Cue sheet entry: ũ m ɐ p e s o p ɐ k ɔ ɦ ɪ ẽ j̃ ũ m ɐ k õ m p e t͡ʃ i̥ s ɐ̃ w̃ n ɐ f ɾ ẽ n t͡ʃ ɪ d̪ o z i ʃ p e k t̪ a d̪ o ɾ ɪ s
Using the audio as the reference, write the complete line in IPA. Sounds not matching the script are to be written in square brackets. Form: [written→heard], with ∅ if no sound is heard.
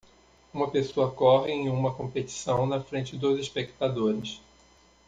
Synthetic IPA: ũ m ɐ p e s o [p→∅] ɐ k ɔ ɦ ɪ ẽ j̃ ũ m ɐ k õ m p e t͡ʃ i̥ s ɐ̃ w̃ n ɐ f ɾ ẽ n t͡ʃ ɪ d̪ o z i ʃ p e k t̪ a d̪ o ɾ ɪ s